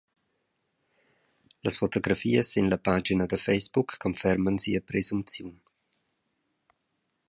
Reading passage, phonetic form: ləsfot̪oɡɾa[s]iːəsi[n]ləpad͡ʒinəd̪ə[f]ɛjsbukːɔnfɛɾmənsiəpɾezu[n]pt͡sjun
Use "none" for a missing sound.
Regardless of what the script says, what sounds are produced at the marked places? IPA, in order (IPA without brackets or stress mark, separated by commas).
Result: f, n, f, m